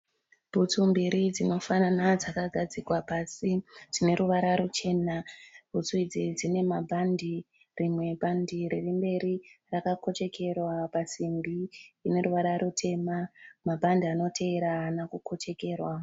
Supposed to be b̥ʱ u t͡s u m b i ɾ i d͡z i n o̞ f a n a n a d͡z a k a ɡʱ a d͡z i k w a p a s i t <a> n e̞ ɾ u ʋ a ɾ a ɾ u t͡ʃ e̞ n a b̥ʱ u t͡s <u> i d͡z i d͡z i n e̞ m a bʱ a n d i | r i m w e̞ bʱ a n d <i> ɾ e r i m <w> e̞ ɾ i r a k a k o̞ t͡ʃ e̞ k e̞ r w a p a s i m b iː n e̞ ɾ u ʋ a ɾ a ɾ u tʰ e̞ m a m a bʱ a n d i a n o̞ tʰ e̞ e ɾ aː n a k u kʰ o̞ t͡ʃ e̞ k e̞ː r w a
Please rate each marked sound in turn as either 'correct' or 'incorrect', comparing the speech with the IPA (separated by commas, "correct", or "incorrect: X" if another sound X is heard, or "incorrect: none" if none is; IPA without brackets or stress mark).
incorrect: i, correct, correct, incorrect: b